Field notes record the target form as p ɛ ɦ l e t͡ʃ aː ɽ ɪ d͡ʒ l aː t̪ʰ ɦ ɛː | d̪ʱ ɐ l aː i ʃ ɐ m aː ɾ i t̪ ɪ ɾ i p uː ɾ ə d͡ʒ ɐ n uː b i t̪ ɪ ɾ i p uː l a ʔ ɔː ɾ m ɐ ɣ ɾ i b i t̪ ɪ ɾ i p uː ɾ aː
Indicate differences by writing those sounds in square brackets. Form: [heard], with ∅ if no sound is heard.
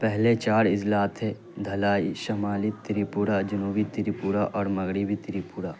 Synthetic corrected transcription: p ɛ ɦ l e t͡ʃ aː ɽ ɪ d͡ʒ l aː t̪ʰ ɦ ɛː | d̪ʱ ɐ l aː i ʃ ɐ m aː [l] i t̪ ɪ ɾ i p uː ɾ [a] d͡ʒ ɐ n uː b i t̪ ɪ ɾ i p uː [ɾ] a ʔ ɔː ɾ m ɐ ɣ ɾ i b i t̪ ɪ ɾ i p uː ɾ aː